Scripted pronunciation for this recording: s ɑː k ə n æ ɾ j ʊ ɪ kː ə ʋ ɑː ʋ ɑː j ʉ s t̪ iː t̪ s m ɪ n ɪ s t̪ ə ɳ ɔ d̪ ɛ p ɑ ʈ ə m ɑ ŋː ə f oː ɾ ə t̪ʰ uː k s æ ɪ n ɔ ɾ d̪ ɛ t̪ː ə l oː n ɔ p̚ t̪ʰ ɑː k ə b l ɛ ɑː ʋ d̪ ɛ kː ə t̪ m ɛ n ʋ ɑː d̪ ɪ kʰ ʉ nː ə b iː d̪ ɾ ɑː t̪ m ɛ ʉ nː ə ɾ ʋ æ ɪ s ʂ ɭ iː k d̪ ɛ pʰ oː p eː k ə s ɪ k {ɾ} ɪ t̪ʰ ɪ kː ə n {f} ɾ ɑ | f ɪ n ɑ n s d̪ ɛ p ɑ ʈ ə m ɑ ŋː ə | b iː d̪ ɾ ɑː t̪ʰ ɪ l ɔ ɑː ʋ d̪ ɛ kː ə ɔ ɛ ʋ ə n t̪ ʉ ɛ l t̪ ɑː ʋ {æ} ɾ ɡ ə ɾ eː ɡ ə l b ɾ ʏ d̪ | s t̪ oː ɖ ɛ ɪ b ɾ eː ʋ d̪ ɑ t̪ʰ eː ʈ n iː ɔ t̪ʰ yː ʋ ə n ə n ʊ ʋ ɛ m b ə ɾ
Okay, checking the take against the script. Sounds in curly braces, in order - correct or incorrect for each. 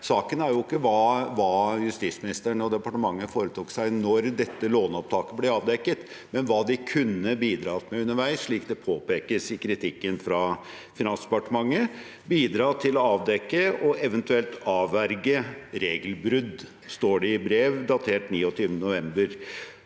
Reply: correct, correct, correct

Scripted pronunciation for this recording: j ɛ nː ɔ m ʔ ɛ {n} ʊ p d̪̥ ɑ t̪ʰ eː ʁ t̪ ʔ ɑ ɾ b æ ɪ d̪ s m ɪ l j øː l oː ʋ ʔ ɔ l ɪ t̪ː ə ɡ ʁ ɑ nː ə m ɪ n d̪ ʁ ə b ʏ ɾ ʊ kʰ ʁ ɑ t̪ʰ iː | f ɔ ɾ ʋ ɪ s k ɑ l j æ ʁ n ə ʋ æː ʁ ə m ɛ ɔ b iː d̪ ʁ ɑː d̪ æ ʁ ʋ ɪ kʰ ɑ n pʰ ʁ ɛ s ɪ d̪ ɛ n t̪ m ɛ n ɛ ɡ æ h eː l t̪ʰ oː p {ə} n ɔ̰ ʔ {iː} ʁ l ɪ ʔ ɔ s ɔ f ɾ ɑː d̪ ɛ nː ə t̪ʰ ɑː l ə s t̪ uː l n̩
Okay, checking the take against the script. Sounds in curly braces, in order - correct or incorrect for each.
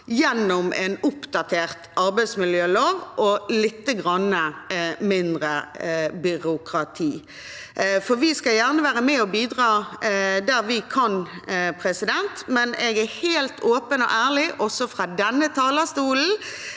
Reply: correct, correct, incorrect

